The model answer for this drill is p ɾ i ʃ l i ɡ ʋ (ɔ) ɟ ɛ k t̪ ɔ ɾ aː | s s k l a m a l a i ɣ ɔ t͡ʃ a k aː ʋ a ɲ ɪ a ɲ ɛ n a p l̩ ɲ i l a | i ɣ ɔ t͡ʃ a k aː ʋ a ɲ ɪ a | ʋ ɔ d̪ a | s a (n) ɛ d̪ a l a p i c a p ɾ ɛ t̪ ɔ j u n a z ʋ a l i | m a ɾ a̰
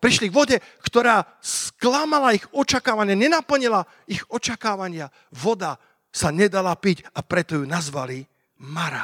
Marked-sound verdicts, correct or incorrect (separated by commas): correct, incorrect